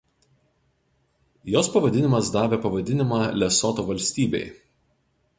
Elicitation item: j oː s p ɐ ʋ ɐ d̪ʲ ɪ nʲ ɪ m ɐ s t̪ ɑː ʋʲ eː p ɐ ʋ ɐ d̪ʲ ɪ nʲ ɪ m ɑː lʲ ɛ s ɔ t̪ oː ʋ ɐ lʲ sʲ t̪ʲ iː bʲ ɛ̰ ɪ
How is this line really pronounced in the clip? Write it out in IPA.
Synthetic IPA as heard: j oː s p ɐ ʋ ɐ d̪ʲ ɪ nʲ ɪ m ɐ s d̪ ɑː ʋʲ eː p ɐ ʋ ɐ d̪ʲ ɪ nʲ ɪ m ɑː lʲ ɛ s ɔ t̪ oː ʋ ɐ lʲ sʲ t̪ʲ iː bʲ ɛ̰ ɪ